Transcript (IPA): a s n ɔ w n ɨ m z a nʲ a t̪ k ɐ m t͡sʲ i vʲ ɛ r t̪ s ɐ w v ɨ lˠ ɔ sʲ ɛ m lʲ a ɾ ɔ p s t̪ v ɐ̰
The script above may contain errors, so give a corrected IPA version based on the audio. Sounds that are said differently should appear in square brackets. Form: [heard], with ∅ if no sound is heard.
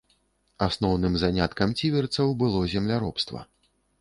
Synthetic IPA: a s n ɔ w n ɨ m z a nʲ a t̪ k ɐ m t͡sʲ i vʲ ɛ r t̪ s ɐ w [b] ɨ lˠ ɔ [zʲ] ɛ m lʲ a ɾ ɔ p s t̪ v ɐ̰